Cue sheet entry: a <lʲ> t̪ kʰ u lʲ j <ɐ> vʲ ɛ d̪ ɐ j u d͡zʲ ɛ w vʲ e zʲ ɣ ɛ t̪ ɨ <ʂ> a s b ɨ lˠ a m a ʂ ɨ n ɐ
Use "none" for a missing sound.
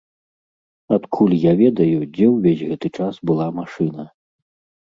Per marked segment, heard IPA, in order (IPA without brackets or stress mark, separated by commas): none, a, t͡ʂ